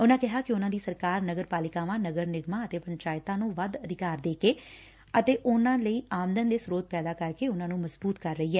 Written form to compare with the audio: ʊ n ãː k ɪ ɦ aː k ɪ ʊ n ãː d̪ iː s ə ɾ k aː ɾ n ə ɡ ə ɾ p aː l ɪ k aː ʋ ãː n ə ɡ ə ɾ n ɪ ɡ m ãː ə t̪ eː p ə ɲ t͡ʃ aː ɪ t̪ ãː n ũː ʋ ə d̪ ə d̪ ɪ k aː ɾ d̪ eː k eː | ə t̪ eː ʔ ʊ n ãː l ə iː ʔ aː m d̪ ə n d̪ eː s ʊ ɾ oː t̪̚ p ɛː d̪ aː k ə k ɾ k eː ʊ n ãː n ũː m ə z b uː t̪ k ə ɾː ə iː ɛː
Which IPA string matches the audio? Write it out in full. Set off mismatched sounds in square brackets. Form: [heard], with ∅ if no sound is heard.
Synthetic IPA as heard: ʊ n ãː k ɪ ɦ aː k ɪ ʊ n ãː d̪ iː s ə ɾ k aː ɾ n ə ɡ ə ɾ p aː l ɪ k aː ʋ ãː n ə ɡ ə ɾ n ɪ ɡ m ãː ə t̪ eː p ə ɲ t͡ʃ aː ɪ t̪ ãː n ũː ʋ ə d̪ ə d̪ ɪ k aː ɾ d̪ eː k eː | ə t̪ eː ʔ ʊ n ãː l ə iː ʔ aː m d̪ ə n d̪ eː s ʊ ɾ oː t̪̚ p ɛː d̪ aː k ə [∅] ɾ k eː ʊ n ãː n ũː m ə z b uː t̪ k ə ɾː ə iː ɛː